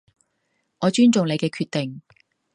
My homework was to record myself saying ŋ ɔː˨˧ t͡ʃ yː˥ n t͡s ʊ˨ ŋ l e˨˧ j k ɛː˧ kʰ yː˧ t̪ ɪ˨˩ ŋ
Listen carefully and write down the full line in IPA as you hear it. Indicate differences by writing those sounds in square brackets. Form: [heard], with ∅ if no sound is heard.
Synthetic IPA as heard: ŋ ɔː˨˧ t͡ʃ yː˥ n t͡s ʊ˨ ŋ l e˨˧ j k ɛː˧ kʰ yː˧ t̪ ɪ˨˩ ŋ

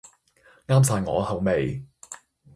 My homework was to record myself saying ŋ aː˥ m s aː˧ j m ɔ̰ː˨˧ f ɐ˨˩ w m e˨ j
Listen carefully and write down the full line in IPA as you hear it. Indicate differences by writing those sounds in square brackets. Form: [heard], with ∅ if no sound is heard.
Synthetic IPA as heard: ŋ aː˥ m s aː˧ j [ŋ] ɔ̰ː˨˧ [h] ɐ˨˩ w m e˨ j

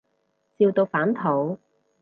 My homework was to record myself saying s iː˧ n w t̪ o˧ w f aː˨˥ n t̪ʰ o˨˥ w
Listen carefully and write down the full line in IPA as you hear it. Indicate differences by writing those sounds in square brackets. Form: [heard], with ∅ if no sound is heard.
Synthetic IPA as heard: [t͡s] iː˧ [∅] w t̪ o˧ w f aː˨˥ n t̪ʰ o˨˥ w

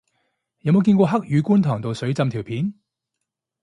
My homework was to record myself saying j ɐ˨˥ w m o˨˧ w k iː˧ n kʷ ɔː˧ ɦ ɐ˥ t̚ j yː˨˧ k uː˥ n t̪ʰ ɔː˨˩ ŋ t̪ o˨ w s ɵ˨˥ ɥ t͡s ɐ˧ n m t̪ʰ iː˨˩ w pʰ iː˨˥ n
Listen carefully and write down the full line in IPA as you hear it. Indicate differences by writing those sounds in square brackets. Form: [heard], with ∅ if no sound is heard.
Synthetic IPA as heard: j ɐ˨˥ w m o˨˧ w k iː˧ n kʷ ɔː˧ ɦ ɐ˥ [k̚] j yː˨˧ k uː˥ n t̪ʰ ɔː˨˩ ŋ t̪ o˨ w s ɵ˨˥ ɥ t͡s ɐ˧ [∅] m t̪ʰ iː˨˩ w pʰ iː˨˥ n

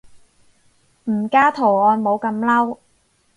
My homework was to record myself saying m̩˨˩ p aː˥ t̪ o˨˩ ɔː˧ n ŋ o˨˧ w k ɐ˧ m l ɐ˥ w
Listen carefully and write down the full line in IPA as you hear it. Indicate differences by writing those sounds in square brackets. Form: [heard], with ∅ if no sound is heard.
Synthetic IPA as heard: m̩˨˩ [k] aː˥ [t̪ʰ] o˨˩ ɔː˧ n [m] o˨˧ w k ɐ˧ m l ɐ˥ w

